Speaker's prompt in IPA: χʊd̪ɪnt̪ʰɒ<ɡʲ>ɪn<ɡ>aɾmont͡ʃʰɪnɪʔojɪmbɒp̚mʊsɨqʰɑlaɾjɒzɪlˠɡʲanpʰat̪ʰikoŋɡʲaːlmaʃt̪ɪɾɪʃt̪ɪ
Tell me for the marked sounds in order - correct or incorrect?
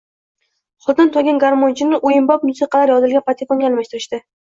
correct, correct

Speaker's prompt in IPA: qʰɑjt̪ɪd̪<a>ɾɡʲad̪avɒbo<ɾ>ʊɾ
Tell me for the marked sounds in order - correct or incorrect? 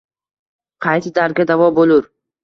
correct, incorrect: l

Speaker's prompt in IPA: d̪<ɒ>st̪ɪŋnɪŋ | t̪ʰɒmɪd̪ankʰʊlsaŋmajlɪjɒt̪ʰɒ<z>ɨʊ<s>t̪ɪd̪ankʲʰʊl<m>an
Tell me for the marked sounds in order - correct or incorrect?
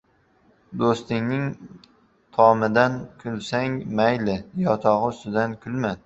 incorrect: o, incorrect: ʁ, correct, correct

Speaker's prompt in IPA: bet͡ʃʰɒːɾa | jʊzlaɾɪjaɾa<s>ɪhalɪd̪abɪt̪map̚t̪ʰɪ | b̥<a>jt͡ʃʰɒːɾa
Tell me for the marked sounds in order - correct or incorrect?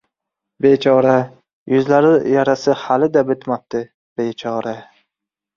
correct, incorrect: e

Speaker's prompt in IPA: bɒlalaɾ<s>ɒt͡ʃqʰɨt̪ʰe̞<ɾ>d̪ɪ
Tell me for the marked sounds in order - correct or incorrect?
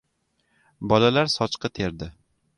correct, correct

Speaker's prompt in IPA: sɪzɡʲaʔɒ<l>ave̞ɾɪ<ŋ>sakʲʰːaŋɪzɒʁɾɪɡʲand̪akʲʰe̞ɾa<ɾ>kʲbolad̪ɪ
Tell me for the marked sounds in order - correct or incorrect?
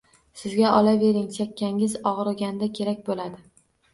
correct, correct, incorrect: none

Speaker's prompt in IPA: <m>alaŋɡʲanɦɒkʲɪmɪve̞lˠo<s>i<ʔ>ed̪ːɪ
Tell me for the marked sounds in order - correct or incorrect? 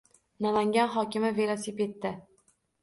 incorrect: n, correct, incorrect: p

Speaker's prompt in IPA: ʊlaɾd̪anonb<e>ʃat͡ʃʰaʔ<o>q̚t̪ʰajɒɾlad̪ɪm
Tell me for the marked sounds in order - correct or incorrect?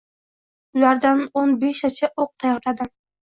correct, correct

